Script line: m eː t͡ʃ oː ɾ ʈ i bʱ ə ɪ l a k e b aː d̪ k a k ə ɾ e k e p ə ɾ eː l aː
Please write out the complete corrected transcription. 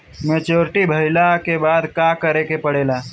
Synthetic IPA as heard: m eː t͡ʃ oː ɾ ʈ i bʱ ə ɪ l a k e b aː d̪ k a k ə ɾ e k e p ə ɽ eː l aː